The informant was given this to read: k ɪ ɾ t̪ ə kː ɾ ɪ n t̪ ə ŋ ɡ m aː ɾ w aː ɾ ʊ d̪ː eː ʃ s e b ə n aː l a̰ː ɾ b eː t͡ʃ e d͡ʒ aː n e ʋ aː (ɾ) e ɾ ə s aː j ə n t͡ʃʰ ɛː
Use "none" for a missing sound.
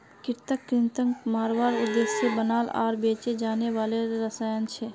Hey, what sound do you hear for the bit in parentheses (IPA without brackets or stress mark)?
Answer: l